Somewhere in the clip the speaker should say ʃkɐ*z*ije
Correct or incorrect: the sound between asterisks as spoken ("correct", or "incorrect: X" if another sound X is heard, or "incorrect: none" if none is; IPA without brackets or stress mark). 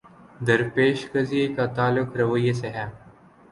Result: correct